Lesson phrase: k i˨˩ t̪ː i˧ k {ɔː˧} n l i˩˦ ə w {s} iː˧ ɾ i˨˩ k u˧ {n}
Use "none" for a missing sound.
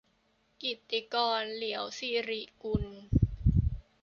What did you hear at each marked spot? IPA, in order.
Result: ɔː˧, s, n

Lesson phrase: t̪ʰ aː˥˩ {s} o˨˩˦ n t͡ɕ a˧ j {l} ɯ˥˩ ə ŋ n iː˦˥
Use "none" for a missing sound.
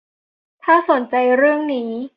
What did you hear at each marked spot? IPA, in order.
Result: s, ɾ

